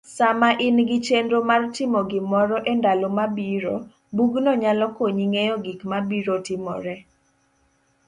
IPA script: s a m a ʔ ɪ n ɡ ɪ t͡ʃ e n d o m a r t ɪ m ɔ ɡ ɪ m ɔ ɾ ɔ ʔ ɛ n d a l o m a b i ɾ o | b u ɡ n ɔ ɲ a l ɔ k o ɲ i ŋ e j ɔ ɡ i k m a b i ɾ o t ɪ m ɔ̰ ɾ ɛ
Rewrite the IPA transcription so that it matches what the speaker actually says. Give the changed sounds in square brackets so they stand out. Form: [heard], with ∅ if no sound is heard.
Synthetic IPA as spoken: s a m a ʔ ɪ n ɡ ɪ t͡ʃ e n d o m a r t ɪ m ɔ ɡ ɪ m ɔ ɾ ɔ ʔ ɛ n d a l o m a b i ɾ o | b u ɡ n ɔ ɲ a l ɔ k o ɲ i ŋ e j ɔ ɡ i k m a b i ɾ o t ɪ m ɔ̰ ɾ ɛ